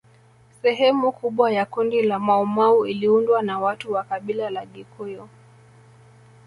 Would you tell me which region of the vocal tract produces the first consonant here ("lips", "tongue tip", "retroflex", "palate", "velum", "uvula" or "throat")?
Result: tongue tip